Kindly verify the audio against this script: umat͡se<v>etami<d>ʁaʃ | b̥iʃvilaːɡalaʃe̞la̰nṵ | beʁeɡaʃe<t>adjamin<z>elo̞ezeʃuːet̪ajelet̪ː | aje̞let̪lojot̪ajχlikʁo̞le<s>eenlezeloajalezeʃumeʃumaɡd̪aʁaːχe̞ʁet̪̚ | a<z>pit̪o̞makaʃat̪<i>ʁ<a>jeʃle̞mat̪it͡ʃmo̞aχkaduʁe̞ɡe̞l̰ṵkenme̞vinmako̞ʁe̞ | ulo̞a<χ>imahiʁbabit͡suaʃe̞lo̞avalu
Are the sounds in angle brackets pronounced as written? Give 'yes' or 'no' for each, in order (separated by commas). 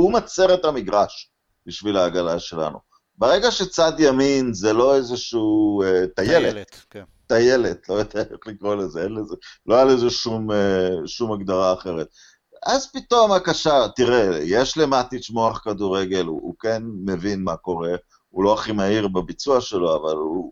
no, no, no, yes, no, yes, yes, no, yes